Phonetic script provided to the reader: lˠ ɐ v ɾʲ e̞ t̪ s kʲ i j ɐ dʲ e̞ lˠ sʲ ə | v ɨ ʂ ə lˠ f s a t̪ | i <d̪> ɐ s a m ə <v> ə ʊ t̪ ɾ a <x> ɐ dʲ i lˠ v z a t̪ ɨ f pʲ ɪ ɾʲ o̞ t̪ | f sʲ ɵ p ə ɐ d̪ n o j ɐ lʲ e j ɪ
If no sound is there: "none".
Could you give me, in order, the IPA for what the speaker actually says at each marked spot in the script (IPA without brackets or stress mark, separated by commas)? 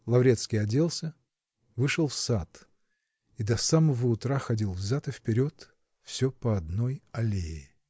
d̪, v, x